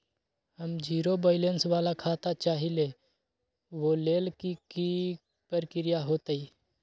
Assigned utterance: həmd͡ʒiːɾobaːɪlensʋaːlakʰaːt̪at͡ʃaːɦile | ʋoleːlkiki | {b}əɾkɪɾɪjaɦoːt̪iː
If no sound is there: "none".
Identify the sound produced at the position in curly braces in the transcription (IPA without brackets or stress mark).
p